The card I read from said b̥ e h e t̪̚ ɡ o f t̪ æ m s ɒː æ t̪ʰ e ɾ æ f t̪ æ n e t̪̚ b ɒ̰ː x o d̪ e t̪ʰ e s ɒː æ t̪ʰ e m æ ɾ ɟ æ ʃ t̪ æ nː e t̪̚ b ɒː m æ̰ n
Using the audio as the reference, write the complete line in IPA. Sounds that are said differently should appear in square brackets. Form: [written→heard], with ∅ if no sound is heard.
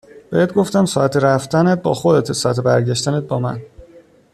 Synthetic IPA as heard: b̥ e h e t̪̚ ɡ o f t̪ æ m s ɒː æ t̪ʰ e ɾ æ f t̪ æ n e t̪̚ b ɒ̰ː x o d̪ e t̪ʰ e s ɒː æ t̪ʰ e [m→b] æ ɾ ɟ æ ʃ t̪ æ [nː→n] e t̪̚ b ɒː m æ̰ n